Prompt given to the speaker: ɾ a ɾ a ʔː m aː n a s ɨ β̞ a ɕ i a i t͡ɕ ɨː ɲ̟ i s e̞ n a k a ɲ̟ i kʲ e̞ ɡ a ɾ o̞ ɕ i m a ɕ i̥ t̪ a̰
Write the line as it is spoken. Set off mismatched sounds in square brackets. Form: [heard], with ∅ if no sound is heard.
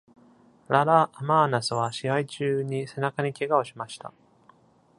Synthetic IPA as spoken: ɾ a ɾ a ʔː m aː n a s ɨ β̞ a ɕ i a i t͡ɕ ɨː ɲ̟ i s e̞ n a k a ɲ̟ i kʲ e̞ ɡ a [∅] o̞ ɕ i m a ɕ i̥ t̪ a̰